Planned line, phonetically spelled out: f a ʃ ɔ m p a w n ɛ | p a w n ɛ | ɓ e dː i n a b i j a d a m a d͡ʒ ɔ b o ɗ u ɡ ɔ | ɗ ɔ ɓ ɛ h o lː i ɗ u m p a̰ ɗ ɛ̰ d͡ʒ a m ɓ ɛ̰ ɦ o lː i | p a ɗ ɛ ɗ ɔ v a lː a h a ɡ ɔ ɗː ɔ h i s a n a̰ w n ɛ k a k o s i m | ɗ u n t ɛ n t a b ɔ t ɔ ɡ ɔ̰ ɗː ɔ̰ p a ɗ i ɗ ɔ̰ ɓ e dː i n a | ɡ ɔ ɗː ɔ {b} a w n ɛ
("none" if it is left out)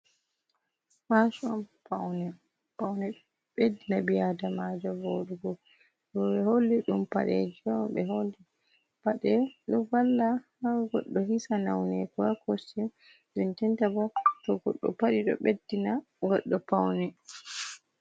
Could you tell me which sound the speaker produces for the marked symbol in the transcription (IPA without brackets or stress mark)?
p